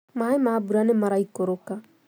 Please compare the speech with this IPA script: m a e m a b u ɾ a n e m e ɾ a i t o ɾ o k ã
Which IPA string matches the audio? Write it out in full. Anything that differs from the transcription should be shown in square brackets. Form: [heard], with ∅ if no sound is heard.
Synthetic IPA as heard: m a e m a b u ɾ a n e m [a] ɾ a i [k] o ɾ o k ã

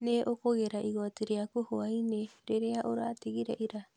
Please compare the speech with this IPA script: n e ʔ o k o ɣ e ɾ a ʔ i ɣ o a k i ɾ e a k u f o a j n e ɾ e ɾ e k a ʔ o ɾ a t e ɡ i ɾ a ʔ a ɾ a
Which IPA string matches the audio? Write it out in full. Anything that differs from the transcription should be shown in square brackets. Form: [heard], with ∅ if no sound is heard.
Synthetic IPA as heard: n e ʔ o k o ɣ e ɾ a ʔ i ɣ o a [t] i ɾ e a k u [h] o a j n e ɾ e ɾ e [∅] a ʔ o ɾ a t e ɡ i ɾ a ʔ [i] ɾ a

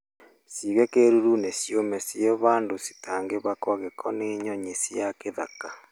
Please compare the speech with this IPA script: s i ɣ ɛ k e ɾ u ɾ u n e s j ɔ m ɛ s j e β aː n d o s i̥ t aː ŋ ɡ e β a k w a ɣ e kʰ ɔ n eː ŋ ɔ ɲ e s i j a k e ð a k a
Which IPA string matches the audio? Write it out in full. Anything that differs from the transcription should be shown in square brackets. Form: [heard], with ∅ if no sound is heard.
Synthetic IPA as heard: s i ɣ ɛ k e ɾ u ɾ u n e s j [o] m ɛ s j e β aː n d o s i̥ t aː ŋ ɡ e β a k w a ɣ e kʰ ɔ n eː [ɲ] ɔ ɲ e s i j a k e ð a k a

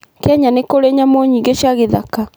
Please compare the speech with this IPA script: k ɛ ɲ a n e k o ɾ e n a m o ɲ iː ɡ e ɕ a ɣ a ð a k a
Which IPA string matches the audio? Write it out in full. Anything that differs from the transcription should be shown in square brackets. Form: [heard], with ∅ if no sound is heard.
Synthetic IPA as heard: k ɛ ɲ a n e k o ɾ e [ɲ] a m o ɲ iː ɡ e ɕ a ɣ [e] ð a k a

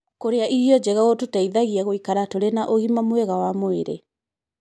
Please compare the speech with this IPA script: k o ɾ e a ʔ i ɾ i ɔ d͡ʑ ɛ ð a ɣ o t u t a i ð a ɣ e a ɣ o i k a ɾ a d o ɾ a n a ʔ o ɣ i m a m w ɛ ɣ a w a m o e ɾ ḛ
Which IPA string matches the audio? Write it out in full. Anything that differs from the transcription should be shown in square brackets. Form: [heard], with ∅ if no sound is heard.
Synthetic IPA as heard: k o ɾ e a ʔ i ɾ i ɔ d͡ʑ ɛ [ɣ] a ɣ o t u t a i ð a ɣ [i] a ɣ o i k a ɾ a [t] o ɾ [e] n a ʔ o ɣ i m a m w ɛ ɣ a w a m o e ɾ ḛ

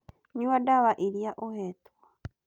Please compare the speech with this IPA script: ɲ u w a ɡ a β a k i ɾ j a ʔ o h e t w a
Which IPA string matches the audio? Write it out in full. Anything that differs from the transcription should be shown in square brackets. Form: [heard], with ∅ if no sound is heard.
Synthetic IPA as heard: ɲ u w a [d] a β a [ʔ] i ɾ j a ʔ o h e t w a

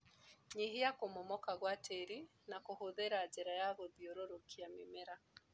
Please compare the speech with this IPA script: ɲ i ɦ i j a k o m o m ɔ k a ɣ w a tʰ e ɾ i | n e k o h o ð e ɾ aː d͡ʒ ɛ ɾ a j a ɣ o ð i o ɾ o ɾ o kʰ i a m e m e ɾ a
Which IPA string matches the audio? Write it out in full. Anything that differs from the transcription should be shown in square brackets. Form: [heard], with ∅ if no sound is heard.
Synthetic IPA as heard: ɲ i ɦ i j a k o m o m ɔ k a ɣ w a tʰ e ɾ i | n [a] k o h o ð e ɾ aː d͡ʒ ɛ ɾ a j a ɣ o ð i o ɾ o ɾ o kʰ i a m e m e ɾ a

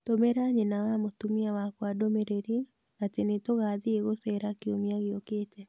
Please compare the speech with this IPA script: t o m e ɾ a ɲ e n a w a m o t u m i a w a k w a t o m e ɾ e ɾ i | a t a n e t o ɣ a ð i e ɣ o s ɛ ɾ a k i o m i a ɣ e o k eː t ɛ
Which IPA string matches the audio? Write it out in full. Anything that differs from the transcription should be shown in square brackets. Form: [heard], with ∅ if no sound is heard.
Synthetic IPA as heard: t o m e ɾ a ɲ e n a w a m o t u m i a w a k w a [d] o m e ɾ e ɾ i | a t [e] n e t o ɣ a ð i e ɣ o s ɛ ɾ a k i o m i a ɣ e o k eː t ɛ

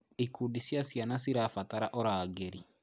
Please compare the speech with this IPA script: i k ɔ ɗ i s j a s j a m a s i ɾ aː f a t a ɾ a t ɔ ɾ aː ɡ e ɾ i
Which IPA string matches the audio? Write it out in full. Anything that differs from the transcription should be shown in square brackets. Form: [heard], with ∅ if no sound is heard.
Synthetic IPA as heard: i k [u] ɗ i s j a s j a [n] a s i ɾ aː f a t a ɾ a [ʔ] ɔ ɾ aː ɡ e ɾ i

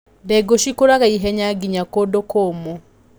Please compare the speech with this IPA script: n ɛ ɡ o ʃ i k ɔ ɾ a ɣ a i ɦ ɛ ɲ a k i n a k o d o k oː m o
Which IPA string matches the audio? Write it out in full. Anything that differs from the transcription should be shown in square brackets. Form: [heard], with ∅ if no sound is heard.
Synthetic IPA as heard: [d] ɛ ɡ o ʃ i k [o] ɾ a ɣ a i ɦ ɛ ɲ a [ɡ] i [ɲ] a k o d o k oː m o

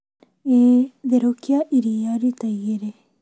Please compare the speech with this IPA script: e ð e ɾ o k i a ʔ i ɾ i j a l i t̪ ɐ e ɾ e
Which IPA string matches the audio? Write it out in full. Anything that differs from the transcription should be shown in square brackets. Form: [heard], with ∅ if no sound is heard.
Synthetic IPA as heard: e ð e ɾ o k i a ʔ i ɾ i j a [ɾ] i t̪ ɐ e ɾ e

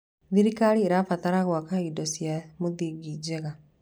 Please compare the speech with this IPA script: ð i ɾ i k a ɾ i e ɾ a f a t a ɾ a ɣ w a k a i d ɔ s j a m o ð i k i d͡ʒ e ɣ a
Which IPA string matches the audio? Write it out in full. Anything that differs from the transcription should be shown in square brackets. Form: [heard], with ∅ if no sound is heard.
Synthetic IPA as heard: ð i ɾ i k a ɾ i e ɾ a f a t a ɾ a ɣ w a k a i d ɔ s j a m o ð i [ɡ] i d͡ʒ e ɣ a

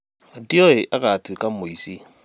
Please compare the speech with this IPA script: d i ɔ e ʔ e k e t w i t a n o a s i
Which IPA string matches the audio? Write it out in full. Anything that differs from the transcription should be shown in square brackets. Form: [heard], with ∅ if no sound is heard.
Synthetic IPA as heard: d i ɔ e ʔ [a] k [a] t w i [k] a [m] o [i] s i

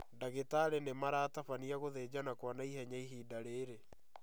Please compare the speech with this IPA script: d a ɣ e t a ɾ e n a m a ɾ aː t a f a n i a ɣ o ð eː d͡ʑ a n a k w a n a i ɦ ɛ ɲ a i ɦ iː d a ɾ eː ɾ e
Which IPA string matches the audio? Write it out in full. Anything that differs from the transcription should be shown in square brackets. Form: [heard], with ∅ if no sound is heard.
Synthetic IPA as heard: d a ɣ e t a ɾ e n [e] m a ɾ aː t a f a n i a ɣ o ð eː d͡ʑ a n a k w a n a i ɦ ɛ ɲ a i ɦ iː d a ɾ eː ɾ e

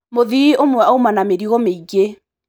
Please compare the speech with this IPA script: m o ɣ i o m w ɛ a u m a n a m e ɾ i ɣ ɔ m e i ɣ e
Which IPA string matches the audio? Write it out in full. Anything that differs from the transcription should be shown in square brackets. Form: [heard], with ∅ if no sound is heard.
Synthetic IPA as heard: m o [ð] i o m w ɛ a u m a n a m e ɾ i ɣ ɔ m e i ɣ e

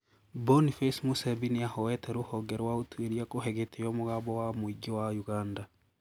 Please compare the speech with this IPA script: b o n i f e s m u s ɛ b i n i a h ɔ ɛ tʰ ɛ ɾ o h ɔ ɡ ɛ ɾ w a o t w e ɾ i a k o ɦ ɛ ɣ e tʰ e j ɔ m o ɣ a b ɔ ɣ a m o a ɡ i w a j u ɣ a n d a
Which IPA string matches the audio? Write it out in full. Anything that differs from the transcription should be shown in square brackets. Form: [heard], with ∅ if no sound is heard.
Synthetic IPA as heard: b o n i f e s m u s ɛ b i n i a h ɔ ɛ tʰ ɛ ɾ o h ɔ ɡ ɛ ɾ w a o t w e ɾ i a k o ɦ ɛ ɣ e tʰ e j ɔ m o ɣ a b ɔ [w] a m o [i] ɡ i w a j u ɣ a n d a

